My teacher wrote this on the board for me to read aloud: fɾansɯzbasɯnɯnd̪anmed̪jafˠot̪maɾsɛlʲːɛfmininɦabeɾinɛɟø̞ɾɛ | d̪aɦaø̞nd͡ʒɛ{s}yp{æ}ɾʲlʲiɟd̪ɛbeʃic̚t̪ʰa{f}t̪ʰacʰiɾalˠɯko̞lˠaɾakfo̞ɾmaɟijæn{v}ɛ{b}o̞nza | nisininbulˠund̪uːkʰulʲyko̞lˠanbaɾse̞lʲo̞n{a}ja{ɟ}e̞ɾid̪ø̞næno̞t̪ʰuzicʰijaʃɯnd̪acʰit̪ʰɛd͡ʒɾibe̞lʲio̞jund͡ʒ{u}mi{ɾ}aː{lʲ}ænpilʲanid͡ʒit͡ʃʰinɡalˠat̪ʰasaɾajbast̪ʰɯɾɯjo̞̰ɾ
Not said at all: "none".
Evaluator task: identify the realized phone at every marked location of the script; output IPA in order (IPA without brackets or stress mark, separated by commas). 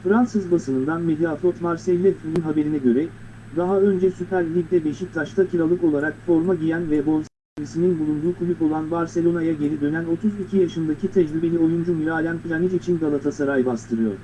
s, æ, ʃ, v, b, a, ɟ, u, ɾ, lʲ